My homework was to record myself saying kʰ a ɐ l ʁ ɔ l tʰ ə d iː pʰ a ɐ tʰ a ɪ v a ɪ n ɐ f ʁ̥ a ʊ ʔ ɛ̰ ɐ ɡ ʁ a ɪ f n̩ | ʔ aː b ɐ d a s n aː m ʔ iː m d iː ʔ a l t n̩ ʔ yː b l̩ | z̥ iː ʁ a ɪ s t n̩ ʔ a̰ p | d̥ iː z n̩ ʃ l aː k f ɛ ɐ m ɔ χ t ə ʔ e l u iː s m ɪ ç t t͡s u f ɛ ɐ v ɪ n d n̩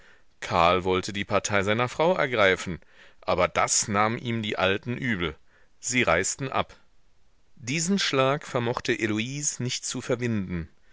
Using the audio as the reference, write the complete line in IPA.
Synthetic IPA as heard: kʰ a ɐ l v ɔ l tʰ ə d iː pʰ a ɐ tʰ a ɪ z a ɪ n ɐ f ʁ̥ a ʊ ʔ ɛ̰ ɐ ɡ ʁ a ɪ f n̩ | ʔ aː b ɐ d a s n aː m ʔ iː m d iː ʔ a l t n̩ ʔ yː b l̩ | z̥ iː ʁ a ɪ s t n̩ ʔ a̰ p | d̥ iː z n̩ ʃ l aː k f ɛ ɐ m ɔ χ t ə ʔ e l u iː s n ɪ ç t t͡s u f ɛ ɐ v ɪ n d n̩